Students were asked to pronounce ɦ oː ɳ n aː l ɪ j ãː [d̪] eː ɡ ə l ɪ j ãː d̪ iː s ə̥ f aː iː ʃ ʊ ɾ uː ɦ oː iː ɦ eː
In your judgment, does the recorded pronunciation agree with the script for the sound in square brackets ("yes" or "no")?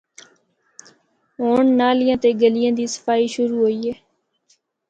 no